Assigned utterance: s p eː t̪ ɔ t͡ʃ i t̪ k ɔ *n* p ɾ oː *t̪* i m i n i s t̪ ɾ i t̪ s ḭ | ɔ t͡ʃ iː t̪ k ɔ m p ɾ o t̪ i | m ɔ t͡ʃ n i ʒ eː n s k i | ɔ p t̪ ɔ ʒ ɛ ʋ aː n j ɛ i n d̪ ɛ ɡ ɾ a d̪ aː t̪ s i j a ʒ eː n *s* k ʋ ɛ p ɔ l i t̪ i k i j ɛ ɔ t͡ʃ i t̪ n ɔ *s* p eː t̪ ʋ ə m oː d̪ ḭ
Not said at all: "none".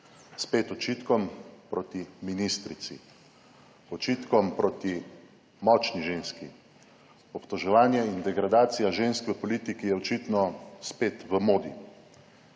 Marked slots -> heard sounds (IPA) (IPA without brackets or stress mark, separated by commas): m, t̪, s, s